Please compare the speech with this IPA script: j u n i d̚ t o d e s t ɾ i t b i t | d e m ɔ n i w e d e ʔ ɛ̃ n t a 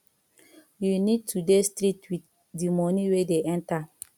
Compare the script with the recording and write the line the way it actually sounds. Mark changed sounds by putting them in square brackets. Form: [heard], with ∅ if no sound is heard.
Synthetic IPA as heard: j u n i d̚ t [u] d e s t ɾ i t [w] i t | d [i] m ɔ n i w e d e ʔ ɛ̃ n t a